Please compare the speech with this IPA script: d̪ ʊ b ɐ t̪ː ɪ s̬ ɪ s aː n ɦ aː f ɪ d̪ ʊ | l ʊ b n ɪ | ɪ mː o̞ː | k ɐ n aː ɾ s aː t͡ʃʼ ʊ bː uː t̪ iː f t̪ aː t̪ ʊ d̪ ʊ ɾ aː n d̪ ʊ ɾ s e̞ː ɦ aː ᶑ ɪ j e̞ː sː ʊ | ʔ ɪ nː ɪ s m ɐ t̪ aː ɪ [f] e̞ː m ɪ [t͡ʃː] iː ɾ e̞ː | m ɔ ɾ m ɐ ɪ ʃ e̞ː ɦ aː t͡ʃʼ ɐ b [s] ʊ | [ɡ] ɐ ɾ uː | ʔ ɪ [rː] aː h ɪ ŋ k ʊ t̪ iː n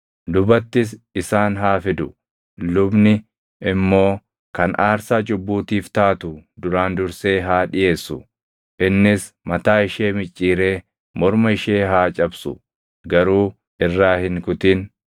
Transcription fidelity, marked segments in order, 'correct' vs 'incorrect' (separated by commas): incorrect, incorrect, correct, correct, correct